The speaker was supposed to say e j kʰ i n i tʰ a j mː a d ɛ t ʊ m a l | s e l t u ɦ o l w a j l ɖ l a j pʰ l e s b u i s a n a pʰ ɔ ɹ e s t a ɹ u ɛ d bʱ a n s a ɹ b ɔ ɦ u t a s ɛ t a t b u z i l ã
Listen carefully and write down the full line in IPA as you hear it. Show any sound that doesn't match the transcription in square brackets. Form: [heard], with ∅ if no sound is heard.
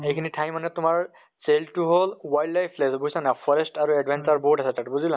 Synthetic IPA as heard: e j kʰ i n i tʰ a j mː a [n] ɛ t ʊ m a [ɹ] | s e l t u ɦ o l w a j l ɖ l a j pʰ l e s b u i s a n a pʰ ɔ ɹ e s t a ɹ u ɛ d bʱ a n s a ɹ b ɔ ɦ u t a s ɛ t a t b u z i l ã